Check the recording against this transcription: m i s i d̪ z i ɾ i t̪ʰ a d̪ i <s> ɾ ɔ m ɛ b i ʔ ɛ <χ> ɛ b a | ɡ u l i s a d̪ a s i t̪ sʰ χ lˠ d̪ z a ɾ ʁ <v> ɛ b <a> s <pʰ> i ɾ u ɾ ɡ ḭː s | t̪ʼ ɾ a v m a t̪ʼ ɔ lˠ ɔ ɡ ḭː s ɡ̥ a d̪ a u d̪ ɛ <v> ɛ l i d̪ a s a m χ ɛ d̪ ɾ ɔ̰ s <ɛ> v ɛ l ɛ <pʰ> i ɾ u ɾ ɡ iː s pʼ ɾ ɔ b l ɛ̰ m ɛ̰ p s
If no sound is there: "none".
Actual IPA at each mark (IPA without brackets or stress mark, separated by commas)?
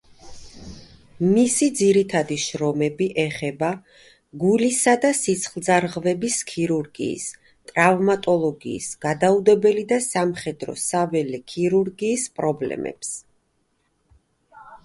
ʃ, χ, v, i, kʰ, b, a, kʰ